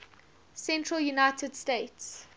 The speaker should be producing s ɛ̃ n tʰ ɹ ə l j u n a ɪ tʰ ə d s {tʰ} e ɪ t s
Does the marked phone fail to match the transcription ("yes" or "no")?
yes